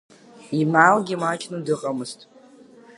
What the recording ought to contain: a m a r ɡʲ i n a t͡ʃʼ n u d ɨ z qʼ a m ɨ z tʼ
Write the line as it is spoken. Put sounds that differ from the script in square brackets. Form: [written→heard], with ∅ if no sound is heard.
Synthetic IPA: [a→i] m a [r→l] ɡʲ i [n→m] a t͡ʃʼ n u d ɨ [z→∅] qʼ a m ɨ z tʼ

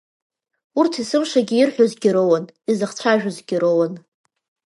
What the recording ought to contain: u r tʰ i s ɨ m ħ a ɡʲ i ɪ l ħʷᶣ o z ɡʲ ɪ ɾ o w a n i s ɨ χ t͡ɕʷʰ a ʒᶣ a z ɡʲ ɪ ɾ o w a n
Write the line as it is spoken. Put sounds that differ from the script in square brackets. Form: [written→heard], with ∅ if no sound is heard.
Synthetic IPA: u r tʰ i s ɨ m [ħ→ʂ] a ɡʲ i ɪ [l→r] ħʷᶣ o z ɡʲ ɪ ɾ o w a n i [s→z] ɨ χ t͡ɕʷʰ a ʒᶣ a z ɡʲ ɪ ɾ o w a n

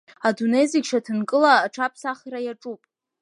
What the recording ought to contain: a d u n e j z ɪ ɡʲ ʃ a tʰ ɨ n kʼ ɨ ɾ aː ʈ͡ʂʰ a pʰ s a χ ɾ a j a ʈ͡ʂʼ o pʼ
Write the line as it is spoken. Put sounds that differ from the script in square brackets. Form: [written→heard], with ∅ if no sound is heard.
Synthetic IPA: a d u n e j z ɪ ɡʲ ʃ a tʰ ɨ n kʼ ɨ [ɾ→l] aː ʈ͡ʂʰ a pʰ s a χ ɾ a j a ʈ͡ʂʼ [o→u] pʼ

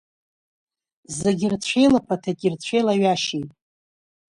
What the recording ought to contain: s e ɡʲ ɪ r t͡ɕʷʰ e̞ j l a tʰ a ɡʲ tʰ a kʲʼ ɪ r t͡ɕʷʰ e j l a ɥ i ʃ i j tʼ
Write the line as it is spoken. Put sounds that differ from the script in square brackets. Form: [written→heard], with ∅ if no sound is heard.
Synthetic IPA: [s→z] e ɡʲ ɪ r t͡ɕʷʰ e̞ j l a [tʰ→pʰ] a [ɡʲ→∅] tʰ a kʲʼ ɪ r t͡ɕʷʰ e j l a ɥ [i→a] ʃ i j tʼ

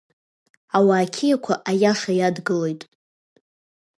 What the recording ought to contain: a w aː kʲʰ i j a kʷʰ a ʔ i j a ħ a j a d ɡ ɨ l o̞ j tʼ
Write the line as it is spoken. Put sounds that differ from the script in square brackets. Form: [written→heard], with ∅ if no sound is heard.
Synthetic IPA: a w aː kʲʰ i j a kʷʰ a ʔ [i→a] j a [ħ→ʂ] a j a d ɡ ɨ l o̞ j tʼ

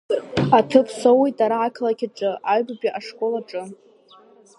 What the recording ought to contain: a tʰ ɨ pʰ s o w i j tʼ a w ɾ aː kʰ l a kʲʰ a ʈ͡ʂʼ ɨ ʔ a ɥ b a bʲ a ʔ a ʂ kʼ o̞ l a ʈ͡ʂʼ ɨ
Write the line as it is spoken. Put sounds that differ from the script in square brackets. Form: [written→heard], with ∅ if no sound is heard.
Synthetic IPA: a tʰ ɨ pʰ s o w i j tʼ a [w→∅] ɾ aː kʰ l a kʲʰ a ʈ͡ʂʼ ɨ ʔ a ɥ b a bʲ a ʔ a ʂ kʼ o̞ l a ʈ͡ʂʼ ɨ

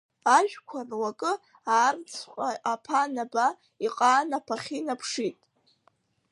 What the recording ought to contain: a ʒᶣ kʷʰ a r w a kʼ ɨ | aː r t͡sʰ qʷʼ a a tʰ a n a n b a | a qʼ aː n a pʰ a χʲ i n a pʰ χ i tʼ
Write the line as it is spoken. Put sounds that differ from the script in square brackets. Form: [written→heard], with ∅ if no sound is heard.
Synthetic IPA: a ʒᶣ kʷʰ a r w a kʼ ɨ | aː r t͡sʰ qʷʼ a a [tʰ→pʰ] a n a [n→∅] b a | [a→i] qʼ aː n a pʰ a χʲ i n a pʰ [χ→ʂ] i tʼ

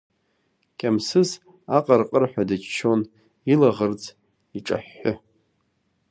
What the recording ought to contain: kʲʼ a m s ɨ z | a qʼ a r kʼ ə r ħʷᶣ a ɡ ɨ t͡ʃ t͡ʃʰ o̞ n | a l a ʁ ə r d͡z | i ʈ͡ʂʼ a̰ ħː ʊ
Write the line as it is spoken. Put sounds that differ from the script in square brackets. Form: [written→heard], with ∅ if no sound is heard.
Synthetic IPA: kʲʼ a m s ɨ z | a qʼ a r [kʼ→qʼ] ə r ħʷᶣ a [ɡ→d] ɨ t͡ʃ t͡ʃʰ o̞ n | [a→i] l a ʁ ə r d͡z | i ʈ͡ʂʼ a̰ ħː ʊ

